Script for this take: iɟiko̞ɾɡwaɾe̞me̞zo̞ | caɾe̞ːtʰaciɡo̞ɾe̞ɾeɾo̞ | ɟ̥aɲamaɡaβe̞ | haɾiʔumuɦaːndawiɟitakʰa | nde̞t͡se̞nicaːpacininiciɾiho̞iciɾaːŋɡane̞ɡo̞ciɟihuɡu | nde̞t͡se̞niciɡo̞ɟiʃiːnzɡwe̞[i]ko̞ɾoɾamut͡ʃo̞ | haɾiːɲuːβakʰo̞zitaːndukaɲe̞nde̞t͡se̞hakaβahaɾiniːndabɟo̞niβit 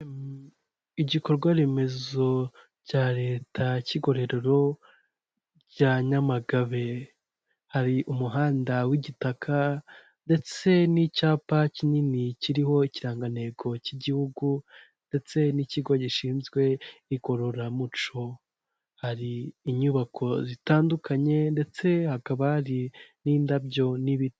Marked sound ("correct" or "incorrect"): correct